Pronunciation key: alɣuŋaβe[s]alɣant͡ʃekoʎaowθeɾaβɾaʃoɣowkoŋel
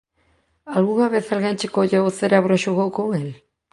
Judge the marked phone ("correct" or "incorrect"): incorrect